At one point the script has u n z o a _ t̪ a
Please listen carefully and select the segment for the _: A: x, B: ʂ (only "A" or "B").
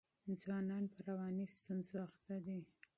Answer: A